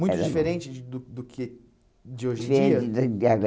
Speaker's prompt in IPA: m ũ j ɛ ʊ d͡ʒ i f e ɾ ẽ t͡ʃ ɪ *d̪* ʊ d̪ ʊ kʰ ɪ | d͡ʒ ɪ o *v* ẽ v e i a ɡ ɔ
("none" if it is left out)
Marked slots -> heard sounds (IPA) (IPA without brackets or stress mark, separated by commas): d̪, ʒ